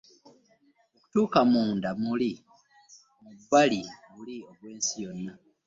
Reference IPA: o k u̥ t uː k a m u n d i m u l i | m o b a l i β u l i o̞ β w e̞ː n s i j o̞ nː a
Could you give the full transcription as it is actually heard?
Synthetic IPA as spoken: o k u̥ t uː k a m uː n d a m u l i | m u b a l i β u l i o̞ β w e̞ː n s i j o̞ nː a

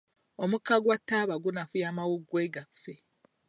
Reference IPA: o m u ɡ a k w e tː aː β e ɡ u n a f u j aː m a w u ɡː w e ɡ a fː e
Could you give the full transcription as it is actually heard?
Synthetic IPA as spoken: o m u k a ɡ w a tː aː β a ɡ u n a f u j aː m a w u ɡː w e ɡ a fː e

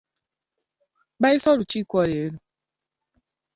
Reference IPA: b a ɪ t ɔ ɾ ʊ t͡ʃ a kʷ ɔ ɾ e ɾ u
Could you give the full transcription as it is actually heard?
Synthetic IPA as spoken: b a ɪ s ɔ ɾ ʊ t͡ʃ i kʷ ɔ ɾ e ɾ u

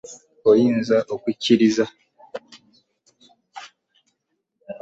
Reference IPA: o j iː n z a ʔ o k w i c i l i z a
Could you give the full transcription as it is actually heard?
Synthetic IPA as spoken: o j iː n z a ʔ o k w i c i ɾ i z a

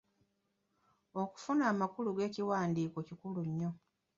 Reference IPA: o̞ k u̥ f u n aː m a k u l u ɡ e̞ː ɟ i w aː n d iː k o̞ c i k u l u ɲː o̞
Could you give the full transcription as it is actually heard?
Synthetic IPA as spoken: o̞ k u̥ f u n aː m a k u l u ɡ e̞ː c i w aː n d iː k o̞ c i k u l u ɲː o̞

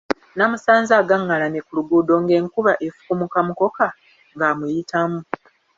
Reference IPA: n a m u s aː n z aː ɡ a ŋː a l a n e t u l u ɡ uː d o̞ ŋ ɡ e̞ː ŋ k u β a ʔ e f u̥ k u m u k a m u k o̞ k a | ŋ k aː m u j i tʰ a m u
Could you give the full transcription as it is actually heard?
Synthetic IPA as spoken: n a m u s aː n z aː ɡ a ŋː a l a n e k u l u ɡ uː d o̞ ŋ ɡ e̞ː ŋ k u β a ʔ e f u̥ k u m u k a m u k o̞ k a | ŋ ɡ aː m u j i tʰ a m u

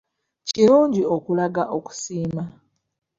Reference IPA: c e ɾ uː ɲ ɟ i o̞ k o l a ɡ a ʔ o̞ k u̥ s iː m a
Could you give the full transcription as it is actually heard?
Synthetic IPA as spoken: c i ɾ uː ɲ ɟ i o̞ k u l a ɡ a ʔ o̞ k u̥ s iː m a

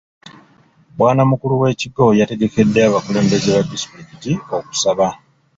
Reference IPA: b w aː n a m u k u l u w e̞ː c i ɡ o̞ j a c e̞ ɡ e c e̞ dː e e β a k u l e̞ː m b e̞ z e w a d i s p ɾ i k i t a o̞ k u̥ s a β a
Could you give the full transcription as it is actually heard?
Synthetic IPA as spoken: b w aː n a m u k u l u w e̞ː c i ɡ o̞ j a t e̞ ɡ e k e̞ dː e a β a k u l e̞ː m b e̞ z e β a d i s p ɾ i k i t i o̞ k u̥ s a β a

